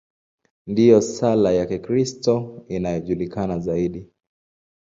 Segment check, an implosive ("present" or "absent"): present